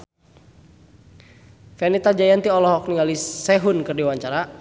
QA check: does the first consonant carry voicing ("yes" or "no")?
no